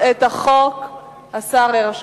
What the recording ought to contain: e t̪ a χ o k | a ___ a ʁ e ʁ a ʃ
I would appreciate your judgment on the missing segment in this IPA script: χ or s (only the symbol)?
s